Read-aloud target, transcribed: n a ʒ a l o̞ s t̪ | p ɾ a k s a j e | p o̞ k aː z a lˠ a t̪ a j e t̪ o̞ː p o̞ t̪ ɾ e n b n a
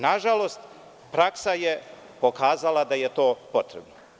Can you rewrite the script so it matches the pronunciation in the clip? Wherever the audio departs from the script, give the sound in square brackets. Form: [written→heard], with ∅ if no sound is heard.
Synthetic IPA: n a ʒ a l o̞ s t̪ | p ɾ a k s a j e | p o̞ k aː z a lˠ a [t̪→d̪] a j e t̪ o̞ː p o̞ t̪ ɾ e [n→∅] b n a